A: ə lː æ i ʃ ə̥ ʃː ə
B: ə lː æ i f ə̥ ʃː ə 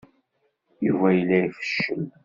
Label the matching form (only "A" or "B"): B